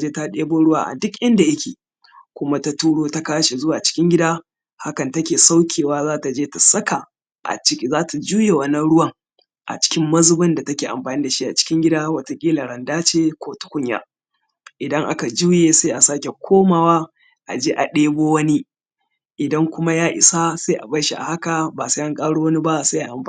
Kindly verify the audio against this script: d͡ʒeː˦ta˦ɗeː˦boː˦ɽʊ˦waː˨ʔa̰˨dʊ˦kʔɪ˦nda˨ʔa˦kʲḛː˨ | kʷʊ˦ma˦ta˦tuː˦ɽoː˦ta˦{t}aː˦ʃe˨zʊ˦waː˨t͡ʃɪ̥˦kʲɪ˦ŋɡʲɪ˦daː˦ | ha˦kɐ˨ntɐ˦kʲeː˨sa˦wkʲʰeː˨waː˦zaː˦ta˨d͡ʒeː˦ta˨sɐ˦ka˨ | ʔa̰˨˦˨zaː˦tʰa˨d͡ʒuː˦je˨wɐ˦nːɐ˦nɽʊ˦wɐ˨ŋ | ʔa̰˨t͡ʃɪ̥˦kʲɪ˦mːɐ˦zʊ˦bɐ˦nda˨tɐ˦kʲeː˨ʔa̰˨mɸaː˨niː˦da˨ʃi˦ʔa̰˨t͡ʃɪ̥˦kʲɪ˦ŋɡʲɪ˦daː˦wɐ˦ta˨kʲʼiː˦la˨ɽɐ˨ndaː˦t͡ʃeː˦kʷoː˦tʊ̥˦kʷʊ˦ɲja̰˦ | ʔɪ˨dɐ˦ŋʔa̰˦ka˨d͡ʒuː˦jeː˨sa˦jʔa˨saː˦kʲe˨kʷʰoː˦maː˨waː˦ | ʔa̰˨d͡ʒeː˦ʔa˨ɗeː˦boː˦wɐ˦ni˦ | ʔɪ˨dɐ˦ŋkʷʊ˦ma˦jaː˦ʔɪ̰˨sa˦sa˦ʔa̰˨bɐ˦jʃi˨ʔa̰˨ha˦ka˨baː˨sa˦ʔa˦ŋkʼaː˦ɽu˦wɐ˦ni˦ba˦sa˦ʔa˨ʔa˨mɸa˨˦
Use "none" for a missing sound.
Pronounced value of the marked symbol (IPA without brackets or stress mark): k